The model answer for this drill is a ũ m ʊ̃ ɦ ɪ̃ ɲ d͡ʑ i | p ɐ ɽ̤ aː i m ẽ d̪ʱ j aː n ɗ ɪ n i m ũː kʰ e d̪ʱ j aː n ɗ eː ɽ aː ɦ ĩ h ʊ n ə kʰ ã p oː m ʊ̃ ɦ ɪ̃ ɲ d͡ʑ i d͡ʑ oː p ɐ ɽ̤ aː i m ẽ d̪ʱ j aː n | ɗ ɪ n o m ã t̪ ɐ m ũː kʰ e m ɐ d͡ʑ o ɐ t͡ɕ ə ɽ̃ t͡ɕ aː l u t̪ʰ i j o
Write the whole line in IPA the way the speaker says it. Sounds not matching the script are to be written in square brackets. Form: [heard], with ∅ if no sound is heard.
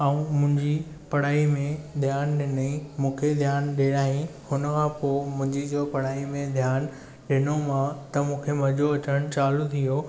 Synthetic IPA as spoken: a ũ m ʊ̃ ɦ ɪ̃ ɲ d͡ʑ i | p ɐ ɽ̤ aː i m ẽ d̪ʱ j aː n ɗ ɪ n i m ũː kʰ e d̪ʱ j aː n ɗ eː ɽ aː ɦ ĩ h ʊ n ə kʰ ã p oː m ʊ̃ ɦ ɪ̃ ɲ d͡ʑ i d͡ʑ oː p ɐ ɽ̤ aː i m ẽ d̪ʱ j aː n | ɗ ɪ n o m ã t̪ ɐ m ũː kʰ e m ɐ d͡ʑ o ɐ t͡ɕ ə ɽ̃ t͡ɕ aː l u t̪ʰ i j o

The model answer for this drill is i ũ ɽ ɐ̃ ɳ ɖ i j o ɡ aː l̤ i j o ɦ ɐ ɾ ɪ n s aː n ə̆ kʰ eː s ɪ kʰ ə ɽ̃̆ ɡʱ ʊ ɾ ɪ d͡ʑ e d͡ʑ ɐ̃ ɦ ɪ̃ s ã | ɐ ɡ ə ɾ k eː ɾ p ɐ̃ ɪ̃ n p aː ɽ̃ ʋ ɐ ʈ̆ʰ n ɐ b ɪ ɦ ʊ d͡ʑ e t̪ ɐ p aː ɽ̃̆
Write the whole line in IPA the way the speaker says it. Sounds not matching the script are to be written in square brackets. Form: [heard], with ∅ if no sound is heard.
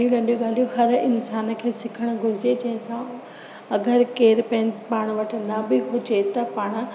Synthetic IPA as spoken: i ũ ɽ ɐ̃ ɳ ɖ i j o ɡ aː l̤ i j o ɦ ɐ ɾ ɪ n s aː n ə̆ kʰ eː s ɪ kʰ ə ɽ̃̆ ɡʱ ʊ ɾ ɪ d͡ʑ e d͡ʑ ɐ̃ ɦ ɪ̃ s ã | ɐ ɡ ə ɾ k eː ɾ p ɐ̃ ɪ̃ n p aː ɽ̃ ʋ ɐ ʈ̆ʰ n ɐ b ɪ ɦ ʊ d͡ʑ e t̪ ɐ p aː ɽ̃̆

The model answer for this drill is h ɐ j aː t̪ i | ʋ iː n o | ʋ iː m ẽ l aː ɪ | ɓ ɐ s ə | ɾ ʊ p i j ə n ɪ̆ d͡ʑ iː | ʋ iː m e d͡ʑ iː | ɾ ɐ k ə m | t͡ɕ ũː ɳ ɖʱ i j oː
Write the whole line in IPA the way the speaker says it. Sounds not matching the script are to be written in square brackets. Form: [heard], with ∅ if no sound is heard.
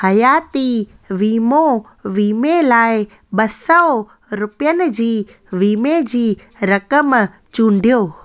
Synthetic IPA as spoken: h ɐ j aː t̪ i | ʋ iː [m] o | ʋ iː m [e] l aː ɪ | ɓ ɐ s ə | ɾ ʊ p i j ə n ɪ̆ d͡ʑ iː | ʋ iː m e d͡ʑ iː | ɾ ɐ k ə m | t͡ɕ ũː ɳ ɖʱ i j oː

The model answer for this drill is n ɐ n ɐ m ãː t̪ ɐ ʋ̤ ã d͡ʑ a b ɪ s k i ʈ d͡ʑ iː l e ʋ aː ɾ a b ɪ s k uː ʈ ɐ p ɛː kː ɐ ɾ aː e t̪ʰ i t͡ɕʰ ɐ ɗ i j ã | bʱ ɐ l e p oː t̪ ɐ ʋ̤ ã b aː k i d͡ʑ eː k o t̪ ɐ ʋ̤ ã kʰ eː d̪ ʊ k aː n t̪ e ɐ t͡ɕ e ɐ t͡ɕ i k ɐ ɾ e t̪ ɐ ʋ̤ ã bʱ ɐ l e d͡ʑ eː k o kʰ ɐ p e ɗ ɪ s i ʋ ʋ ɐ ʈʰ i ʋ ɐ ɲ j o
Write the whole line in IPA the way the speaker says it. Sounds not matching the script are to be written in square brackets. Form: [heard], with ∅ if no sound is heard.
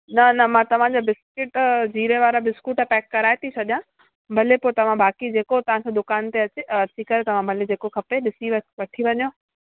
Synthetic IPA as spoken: n ɐ n ɐ m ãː t̪ ɐ ʋ̤ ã d͡ʑ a b ɪ s k [ɪ] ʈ d͡ʑ iː [ɾ] e ʋ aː ɾ a b ɪ s k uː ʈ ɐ p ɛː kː ɐ ɾ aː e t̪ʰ i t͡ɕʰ ɐ ɗ i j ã | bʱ ɐ l e p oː t̪ ɐ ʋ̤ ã b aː k i d͡ʑ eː k o t̪ ɐ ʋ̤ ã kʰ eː d̪ ʊ k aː n t̪ e ɐ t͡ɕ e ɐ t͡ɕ i k ɐ ɾ e t̪ ɐ ʋ̤ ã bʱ ɐ l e d͡ʑ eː k o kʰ ɐ p e ɗ ɪ s i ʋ ʋ ɐ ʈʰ i ʋ ɐ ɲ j o

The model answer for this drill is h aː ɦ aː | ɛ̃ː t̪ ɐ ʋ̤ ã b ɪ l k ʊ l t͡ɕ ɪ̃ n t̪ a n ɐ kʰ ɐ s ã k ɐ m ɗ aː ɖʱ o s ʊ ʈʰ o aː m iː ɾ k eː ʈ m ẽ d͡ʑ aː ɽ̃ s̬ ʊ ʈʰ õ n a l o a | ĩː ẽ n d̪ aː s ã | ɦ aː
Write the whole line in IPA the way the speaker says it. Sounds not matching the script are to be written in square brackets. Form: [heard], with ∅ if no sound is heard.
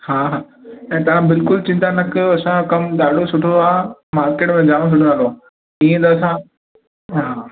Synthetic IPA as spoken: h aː ɦ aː | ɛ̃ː t̪ ɐ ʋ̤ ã b ɪ l k ʊ l t͡ɕ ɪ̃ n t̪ a n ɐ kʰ ɐ s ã k ɐ m ɗ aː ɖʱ o s ʊ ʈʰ o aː m [aː] ɾ k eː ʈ m ẽ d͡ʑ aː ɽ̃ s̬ ʊ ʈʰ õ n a l o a | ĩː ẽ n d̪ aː s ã | ɦ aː

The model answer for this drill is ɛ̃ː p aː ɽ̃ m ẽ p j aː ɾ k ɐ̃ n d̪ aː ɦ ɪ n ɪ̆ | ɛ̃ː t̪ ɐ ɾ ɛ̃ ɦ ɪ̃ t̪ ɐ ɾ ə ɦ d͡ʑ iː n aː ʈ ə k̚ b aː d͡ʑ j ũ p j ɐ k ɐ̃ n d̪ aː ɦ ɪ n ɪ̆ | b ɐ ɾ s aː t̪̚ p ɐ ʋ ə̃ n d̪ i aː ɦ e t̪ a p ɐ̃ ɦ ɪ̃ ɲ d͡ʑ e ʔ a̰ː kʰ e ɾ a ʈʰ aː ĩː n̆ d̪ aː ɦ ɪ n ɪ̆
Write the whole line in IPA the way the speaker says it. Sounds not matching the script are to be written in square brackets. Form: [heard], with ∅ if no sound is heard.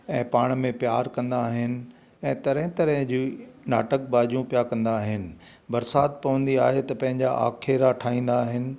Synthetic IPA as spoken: ɛ̃ː p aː ɽ̃ m ẽ p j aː ɾ k ɐ̃ n d̪ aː ɦ ɪ n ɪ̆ | ɛ̃ː t̪ ɐ ɾ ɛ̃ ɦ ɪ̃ t̪ ɐ ɾ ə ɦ d͡ʑ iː n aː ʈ ə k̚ b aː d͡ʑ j ũ p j [a] k ɐ̃ n d̪ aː ɦ ɪ n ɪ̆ | b ɐ ɾ s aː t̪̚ p ɐ ʋ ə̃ n d̪ i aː ɦ e t̪ [ɐ] p ɐ̃ ɦ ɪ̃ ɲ d͡ʑ [a] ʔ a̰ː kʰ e ɾ a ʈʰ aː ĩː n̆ d̪ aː ɦ ɪ n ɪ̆

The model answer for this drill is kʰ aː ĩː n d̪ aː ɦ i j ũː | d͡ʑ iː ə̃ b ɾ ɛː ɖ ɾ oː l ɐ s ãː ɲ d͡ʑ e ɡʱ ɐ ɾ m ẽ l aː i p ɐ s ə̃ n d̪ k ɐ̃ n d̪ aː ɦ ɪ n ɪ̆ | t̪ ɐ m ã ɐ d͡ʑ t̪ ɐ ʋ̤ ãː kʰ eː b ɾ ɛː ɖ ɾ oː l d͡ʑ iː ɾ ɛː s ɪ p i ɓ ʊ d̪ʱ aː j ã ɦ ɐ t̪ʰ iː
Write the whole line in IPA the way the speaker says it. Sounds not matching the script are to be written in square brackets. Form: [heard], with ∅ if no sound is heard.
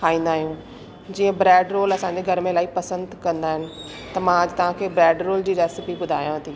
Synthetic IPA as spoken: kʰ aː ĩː n d̪ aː ɦ i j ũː | d͡ʑ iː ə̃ b ɾ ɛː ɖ ɾ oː l ɐ s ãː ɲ d͡ʑ e ɡʱ ɐ ɾ m ẽ l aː i p ɐ s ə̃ n d̪ k ɐ̃ n d̪ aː ɦ ɪ n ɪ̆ | t̪ ɐ m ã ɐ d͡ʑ t̪ ɐ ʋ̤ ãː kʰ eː b ɾ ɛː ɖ ɾ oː l d͡ʑ iː ɾ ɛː s ɪ p i ɓ ʊ d̪ʱ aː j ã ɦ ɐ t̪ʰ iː

